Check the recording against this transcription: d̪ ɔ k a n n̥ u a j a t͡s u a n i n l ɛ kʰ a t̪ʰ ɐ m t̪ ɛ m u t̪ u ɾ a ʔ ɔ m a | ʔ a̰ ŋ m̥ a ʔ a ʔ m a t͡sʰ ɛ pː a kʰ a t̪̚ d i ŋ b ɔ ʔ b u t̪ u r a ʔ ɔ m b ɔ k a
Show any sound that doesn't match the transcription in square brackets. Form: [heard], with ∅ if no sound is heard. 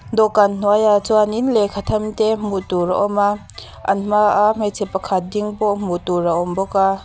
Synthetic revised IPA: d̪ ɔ k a n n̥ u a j a t͡s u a n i n l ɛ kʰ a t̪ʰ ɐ m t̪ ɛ m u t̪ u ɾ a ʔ ɔ m a | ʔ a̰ [n] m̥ a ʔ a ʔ m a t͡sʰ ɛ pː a kʰ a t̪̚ d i ŋ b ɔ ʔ [m] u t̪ u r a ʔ ɔ m b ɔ k a